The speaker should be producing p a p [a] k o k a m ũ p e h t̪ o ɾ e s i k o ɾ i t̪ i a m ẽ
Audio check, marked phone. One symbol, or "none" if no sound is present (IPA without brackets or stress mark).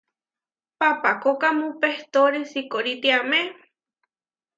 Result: a